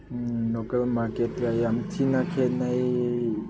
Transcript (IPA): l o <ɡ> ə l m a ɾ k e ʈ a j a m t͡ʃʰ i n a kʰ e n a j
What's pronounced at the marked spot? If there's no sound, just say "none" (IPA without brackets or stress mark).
k